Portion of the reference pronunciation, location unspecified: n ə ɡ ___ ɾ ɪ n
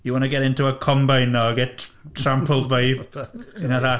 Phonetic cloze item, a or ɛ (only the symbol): ɛ